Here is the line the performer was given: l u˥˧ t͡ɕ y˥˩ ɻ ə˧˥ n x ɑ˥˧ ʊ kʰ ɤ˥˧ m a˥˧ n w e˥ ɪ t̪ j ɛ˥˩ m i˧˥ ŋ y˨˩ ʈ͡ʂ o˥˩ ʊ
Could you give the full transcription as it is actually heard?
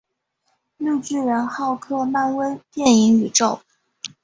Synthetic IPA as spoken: l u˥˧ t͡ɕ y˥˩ ɻ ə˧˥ n x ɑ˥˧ ʊ kʰ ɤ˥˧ m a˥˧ n w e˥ ɪ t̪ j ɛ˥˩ n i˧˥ ŋ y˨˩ ʈ͡ʂ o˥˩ ʊ

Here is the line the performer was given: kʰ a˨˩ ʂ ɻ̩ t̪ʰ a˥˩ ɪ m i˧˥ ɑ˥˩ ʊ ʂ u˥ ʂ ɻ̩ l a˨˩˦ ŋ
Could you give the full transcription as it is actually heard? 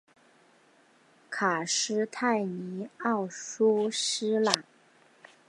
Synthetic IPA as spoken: kʰ a˨˩ ʂ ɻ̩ t̪ʰ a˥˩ ɪ n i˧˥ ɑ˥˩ ʊ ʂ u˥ ʂ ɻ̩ l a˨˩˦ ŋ

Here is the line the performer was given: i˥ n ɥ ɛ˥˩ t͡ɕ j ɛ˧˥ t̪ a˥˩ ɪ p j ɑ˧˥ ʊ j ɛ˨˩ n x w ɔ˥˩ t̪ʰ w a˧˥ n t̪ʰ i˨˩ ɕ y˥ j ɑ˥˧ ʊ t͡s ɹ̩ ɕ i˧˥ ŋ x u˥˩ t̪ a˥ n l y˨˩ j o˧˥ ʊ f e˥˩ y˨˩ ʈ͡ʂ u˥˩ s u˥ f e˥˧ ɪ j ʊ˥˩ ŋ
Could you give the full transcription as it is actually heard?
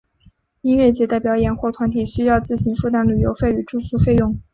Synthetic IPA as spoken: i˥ n ɥ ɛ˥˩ t͡ɕ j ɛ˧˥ t̪ a˥˩ ɪ p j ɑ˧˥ ʊ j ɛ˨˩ n x w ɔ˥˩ t̪ʰ w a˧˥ n t̪ʰ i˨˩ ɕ y˥ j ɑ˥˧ ʊ t͡s ɹ̩ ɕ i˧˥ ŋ f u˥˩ t̪ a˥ n l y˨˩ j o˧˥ ʊ f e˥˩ y˨˩ ʈ͡ʂ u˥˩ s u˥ f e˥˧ ɪ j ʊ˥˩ ŋ

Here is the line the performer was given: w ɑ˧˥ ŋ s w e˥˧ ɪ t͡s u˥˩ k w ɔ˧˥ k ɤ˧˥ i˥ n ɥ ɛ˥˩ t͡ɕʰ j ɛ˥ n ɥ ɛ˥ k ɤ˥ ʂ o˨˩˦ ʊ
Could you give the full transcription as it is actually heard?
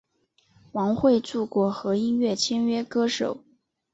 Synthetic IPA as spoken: w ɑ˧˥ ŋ x w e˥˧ ɪ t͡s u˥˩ k w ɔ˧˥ x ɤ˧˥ i˥ n ɥ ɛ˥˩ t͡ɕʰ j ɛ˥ n ɥ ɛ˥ k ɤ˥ ʂ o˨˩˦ ʊ

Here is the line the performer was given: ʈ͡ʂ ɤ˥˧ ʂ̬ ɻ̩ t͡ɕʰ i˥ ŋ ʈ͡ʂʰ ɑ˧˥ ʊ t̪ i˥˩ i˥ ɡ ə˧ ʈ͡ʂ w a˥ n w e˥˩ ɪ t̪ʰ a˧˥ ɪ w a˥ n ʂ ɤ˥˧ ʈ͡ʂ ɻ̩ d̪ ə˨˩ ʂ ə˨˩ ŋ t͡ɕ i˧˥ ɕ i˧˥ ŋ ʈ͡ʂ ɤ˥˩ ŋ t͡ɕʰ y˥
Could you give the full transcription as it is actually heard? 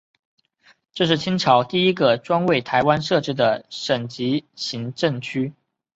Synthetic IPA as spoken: ʈ͡ʂ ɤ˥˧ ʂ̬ ɻ̩ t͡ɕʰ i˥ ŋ ʈ͡ʂʰ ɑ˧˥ ʊ t̪ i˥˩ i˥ ɡ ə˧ ʈ͡ʂ w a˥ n w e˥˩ ɪ t̪ʰ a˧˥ ɪ w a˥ n ʂ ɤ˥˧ ʈ͡ʂ ɻ̩ d̪ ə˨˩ ʂ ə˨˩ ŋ t͡ɕ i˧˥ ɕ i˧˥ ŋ ʈ͡ʂ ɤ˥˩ ŋ t͡ɕʰ y˥

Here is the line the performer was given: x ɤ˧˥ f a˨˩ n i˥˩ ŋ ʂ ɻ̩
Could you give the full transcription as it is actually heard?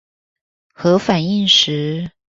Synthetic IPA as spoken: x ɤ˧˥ f a˨˩ n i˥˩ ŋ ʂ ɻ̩

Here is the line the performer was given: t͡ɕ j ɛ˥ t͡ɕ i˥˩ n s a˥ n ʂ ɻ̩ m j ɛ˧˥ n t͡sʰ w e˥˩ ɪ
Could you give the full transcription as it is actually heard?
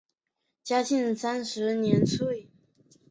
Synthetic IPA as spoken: t͡ɕ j a˥ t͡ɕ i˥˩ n s a˥ n ʂ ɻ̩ n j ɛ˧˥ n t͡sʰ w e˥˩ ɪ

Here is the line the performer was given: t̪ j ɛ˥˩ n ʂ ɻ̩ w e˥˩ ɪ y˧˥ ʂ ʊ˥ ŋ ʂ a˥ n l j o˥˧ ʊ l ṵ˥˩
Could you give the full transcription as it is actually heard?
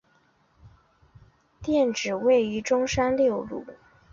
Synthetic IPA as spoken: t̪ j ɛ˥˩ n ʈ͡ʂ ɻ̩ w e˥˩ ɪ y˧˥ ʈ͡ʂ ʊ˥ ŋ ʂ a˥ n l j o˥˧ ʊ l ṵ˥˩

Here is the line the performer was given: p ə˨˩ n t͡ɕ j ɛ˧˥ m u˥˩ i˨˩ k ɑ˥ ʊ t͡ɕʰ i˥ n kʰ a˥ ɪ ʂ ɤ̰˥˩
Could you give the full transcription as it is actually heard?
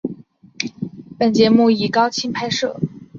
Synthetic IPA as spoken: p ə˨˩ n t͡ɕ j ɛ˧˥ m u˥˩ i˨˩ k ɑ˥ ʊ t͡ɕʰ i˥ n pʰ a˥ ɪ ʂ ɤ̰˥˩

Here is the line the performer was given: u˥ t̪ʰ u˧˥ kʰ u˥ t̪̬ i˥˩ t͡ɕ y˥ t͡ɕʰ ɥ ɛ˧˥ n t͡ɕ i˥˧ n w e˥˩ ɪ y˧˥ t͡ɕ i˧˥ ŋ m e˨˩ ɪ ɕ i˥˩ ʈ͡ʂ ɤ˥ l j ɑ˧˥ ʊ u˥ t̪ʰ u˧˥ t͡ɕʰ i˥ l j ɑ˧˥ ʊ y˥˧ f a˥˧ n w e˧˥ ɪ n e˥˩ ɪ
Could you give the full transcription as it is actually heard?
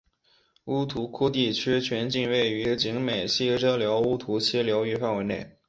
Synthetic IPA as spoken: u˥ t̪ʰ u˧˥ kʰ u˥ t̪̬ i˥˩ t͡ɕʰ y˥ t͡ɕʰ ɥ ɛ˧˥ n t͡ɕ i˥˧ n w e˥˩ ɪ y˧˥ t͡ɕ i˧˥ ŋ m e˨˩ ɪ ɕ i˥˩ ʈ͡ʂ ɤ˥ l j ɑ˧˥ ʊ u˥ t̪ʰ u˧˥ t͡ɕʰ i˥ l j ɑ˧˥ ʊ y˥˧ f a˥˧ n w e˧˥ ɪ n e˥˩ ɪ

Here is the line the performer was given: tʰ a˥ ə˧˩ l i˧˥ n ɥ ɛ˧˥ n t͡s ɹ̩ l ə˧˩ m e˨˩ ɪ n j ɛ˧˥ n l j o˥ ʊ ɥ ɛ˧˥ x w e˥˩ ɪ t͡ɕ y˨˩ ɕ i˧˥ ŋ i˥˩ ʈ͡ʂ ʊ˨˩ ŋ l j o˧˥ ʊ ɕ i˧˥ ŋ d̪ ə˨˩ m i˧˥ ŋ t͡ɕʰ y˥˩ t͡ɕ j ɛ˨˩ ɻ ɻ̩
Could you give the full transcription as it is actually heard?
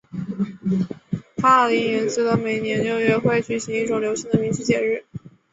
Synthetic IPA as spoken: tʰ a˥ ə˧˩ l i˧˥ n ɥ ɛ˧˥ n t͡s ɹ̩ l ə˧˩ m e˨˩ ɪ n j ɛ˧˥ n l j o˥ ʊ ɥ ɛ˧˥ x w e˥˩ ɪ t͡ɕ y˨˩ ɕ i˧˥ ŋ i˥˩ ʈ͡ʂ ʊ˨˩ ŋ l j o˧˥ ʊ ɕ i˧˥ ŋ d̪ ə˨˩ m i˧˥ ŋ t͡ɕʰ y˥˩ t͡ɕ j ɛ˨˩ ɻ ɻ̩

